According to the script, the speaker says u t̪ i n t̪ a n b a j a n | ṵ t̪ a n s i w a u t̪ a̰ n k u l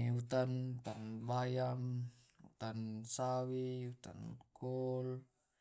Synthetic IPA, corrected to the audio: u t̪ a n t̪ a n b a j a m | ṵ t̪ a n s a w i u t̪ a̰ n k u l